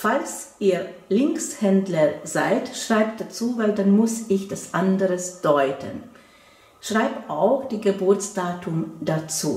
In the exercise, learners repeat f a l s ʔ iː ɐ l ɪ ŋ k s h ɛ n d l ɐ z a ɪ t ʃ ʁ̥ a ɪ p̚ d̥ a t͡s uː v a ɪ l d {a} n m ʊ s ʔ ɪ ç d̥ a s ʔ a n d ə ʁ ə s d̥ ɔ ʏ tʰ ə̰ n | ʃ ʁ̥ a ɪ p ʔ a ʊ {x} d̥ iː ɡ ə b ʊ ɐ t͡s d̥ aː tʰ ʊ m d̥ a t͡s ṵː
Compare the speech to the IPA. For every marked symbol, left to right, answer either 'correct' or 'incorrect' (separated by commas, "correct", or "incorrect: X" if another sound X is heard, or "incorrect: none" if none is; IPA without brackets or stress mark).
correct, correct